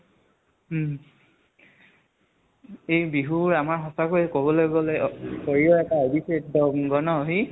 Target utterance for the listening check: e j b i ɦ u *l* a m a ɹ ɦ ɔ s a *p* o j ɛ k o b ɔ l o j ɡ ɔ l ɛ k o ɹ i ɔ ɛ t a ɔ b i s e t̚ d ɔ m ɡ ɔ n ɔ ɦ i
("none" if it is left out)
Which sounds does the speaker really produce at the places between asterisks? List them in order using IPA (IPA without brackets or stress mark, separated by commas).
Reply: ɹ, k